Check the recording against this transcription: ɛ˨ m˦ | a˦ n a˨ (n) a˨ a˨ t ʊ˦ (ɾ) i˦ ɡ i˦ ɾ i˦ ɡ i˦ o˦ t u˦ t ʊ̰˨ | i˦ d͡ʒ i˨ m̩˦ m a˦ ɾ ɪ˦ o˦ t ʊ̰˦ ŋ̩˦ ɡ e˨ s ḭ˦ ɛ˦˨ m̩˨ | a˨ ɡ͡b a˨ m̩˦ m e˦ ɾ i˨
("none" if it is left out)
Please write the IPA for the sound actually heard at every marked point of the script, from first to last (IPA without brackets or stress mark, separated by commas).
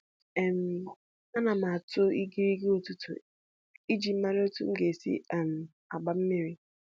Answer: m, none